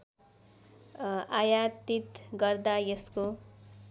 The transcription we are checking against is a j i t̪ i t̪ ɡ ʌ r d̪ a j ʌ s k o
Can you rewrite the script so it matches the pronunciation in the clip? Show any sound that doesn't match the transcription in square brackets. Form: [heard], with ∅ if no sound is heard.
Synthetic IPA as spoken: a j [a] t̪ i t̪ ɡ ʌ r d̪ a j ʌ s k o